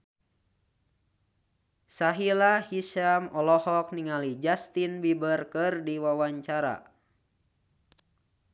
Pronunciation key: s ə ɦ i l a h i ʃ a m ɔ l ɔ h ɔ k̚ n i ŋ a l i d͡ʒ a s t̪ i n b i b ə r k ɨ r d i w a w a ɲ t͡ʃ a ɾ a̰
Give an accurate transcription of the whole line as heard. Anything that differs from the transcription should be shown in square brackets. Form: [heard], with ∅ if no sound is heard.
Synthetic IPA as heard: s [a] ɦ i l a h i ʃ a m ɔ l ɔ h ɔ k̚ n i ŋ a l i d͡ʒ a s t̪ i n b i b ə r k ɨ r d i w a w a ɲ t͡ʃ a ɾ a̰